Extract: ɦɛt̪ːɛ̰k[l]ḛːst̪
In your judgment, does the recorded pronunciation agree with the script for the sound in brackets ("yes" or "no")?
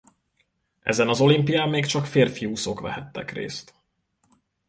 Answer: no